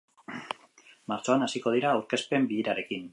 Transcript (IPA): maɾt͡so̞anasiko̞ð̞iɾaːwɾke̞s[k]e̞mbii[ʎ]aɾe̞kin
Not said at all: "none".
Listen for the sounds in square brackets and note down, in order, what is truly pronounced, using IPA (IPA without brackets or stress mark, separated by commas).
p, ɾ